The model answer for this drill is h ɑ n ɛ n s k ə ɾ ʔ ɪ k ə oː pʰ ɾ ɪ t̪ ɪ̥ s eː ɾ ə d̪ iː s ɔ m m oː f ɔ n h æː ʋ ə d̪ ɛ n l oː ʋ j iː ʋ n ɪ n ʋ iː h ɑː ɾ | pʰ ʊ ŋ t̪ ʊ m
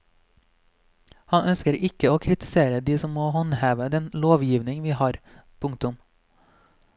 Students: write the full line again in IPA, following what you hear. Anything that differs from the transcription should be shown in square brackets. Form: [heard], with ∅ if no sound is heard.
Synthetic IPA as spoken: h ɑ n [œ] n s k ə ɾ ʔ ɪ k ə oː [kʰ] ɾ ɪ t̪ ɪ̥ s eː ɾ ə d̪ iː s ɔ m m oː [h] ɔ n h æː ʋ ə d̪ ɛ n l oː ʋ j iː ʋ n ɪ [ŋ] ʋ iː h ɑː ɾ | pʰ ʊ ŋ t̪ ʊ m